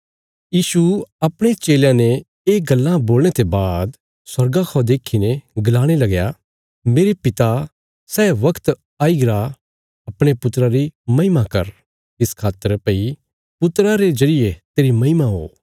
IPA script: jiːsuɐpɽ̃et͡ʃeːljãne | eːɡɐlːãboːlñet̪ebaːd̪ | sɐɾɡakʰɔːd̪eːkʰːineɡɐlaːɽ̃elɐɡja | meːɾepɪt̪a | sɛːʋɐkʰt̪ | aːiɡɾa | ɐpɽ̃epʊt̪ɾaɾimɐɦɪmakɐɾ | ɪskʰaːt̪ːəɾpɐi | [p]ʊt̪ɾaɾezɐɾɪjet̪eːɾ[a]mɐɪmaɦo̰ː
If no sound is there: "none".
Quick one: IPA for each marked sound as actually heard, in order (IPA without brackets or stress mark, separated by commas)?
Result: p, i